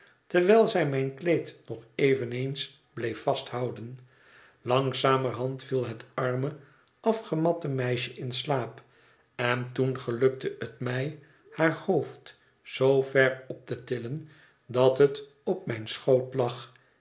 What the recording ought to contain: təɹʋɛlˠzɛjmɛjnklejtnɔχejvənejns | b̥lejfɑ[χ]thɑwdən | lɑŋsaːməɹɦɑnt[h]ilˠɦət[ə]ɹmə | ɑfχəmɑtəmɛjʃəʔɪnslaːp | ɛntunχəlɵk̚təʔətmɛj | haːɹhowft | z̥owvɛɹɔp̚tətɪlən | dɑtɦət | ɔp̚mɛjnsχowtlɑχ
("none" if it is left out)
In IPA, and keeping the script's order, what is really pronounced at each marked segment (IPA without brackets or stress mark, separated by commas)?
s, f, ɑ